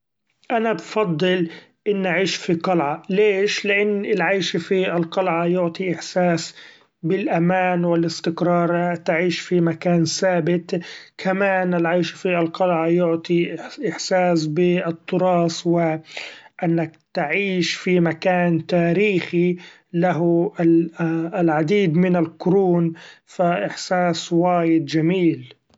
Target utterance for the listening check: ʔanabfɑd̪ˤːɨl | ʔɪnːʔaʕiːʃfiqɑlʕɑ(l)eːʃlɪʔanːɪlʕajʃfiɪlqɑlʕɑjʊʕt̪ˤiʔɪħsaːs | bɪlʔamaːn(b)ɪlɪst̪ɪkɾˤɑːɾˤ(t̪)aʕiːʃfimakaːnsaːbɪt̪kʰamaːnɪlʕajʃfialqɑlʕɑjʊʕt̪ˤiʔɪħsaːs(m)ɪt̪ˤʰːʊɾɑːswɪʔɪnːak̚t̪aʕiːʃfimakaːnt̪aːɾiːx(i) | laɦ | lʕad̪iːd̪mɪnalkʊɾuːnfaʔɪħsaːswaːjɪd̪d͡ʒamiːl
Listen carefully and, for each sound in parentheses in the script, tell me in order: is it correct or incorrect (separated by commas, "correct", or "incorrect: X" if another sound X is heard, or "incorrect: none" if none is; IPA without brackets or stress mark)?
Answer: correct, incorrect: w, correct, incorrect: b, correct